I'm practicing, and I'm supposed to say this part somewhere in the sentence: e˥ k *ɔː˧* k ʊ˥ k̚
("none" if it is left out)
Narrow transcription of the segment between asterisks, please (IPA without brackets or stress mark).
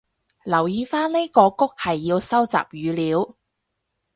ɔː˧